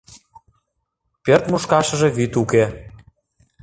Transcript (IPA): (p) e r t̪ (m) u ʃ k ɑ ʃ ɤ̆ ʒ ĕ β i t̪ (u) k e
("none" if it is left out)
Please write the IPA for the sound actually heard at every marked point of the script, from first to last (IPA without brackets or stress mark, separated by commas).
p, m, u